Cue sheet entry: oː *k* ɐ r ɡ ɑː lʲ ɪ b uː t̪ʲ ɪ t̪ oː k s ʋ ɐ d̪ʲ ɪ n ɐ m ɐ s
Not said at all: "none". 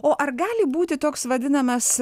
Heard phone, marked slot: ʔ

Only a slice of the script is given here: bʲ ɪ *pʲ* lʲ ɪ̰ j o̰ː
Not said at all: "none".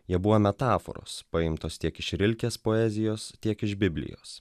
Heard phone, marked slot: bʲ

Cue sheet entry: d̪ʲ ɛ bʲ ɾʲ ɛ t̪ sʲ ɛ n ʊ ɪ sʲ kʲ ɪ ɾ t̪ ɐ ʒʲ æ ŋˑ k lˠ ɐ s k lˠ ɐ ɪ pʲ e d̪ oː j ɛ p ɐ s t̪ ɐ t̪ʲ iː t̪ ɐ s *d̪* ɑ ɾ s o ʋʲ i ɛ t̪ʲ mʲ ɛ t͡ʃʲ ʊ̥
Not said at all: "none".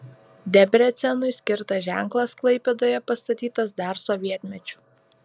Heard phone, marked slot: d̪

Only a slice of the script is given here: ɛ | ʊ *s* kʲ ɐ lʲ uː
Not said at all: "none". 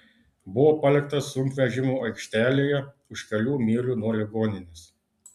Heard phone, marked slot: ʃ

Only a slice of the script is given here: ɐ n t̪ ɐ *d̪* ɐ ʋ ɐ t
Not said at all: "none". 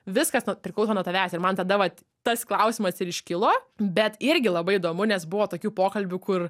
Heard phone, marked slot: d̪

